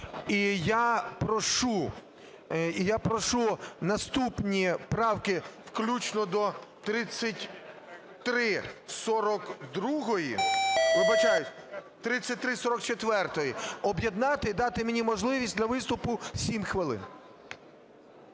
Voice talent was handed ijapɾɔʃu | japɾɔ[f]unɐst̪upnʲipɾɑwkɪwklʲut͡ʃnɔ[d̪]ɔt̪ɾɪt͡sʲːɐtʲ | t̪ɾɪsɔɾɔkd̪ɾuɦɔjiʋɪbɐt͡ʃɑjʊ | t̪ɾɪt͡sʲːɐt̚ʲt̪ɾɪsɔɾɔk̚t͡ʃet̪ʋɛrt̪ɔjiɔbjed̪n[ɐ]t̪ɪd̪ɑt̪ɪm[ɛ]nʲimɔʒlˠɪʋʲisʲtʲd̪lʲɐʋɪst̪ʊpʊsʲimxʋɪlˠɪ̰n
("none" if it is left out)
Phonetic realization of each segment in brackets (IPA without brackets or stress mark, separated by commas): ʃ, d̪, ɑ, e